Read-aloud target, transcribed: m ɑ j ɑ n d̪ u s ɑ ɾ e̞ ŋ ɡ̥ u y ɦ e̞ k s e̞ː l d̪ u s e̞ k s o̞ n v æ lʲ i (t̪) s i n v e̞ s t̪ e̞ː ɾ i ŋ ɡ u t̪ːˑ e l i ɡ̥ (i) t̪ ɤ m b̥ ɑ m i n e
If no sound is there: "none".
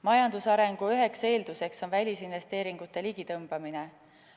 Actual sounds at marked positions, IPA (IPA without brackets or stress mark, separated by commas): none, i